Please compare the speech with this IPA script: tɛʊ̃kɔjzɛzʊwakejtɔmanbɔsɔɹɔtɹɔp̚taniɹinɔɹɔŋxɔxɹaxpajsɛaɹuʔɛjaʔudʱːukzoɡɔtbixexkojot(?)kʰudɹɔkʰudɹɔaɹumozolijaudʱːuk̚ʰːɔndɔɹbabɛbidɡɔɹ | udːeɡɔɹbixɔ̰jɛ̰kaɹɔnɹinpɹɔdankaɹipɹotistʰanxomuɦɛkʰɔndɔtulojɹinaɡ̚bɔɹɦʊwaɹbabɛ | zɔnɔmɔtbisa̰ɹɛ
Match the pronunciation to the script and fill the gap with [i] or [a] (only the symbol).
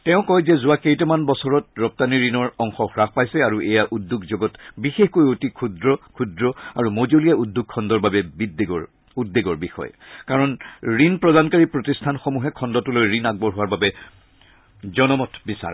i